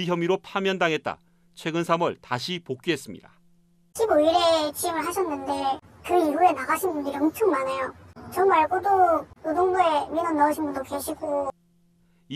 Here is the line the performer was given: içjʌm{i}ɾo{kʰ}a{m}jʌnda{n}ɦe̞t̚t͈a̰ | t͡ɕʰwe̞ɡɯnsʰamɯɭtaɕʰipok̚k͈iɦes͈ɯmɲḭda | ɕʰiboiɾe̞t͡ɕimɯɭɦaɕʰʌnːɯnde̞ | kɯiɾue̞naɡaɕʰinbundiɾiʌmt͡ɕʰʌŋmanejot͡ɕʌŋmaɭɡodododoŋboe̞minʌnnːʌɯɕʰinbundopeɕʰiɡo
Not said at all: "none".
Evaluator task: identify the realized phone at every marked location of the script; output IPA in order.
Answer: i, pʰ, m, ŋ

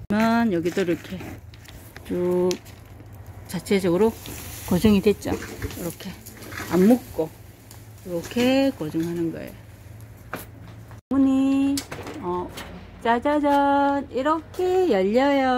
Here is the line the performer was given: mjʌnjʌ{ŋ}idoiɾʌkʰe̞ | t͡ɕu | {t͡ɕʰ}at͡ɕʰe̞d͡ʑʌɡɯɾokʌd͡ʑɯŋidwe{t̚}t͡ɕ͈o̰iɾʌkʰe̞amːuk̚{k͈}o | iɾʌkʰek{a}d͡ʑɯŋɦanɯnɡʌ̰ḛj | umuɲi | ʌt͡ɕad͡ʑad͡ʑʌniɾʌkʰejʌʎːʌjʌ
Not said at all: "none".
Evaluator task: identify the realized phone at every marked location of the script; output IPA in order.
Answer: ɡ, t͡ɕ, t̚, k͈, ʌ

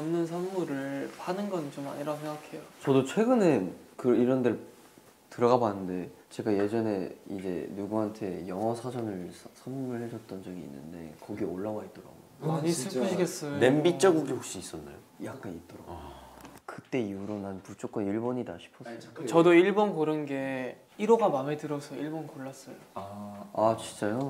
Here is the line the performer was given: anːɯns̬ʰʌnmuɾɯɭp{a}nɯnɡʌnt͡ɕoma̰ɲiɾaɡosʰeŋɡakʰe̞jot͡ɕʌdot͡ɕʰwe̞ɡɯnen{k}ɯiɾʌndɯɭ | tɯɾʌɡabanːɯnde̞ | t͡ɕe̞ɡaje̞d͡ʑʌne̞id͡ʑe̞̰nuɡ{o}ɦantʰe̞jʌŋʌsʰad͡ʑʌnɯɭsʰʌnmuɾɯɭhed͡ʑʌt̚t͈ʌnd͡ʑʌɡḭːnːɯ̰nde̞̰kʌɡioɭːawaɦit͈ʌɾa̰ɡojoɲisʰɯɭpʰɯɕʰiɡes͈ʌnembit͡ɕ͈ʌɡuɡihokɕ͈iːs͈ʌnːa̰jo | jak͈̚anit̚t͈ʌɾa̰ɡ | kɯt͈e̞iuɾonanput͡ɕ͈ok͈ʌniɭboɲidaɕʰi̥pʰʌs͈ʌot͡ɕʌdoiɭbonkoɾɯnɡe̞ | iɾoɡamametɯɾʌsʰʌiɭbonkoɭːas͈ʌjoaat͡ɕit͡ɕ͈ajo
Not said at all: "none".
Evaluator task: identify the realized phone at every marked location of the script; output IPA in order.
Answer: a, k, u

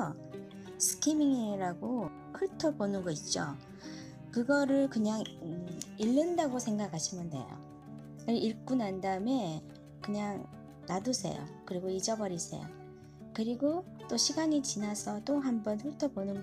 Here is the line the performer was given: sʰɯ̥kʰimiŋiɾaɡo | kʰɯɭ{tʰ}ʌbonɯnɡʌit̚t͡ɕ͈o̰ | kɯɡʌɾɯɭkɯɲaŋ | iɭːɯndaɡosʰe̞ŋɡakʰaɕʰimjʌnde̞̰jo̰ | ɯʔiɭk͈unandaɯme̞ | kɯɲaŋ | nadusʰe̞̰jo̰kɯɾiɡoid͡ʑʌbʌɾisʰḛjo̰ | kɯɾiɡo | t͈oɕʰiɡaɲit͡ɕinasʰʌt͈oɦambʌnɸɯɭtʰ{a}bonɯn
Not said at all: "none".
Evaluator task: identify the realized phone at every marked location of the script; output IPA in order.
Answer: tʰ, ʌ

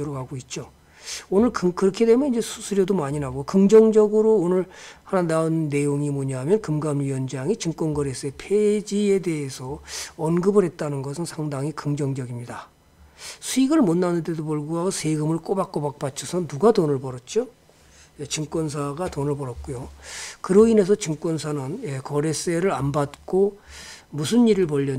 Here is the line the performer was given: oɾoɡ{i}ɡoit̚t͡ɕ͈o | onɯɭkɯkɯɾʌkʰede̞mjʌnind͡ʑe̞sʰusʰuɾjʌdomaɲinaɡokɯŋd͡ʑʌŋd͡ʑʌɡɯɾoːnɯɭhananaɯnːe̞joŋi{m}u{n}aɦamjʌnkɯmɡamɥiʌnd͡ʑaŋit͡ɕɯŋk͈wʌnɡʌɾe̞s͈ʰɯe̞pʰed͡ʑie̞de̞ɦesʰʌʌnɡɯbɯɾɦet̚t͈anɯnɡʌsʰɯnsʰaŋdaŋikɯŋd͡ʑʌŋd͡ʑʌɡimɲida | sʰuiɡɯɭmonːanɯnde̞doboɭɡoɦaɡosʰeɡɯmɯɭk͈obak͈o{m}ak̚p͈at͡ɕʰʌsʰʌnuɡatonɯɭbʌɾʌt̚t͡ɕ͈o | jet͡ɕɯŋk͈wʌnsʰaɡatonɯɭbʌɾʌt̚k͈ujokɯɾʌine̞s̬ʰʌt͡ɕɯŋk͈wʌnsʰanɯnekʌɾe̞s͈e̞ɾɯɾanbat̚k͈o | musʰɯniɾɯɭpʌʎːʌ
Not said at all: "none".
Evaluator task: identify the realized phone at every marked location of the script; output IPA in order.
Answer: a, m, ɲ, b

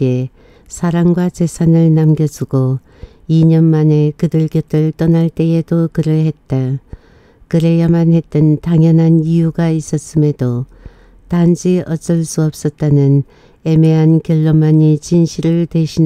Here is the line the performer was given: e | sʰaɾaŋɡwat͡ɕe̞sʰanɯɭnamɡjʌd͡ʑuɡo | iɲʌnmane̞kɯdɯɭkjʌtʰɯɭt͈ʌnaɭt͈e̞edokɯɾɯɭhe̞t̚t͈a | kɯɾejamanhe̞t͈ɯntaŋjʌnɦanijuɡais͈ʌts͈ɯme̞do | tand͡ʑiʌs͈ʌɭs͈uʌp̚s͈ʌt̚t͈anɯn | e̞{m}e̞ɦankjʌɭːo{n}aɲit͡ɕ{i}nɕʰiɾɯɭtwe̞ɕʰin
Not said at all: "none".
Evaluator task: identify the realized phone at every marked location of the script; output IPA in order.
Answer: m, m, i

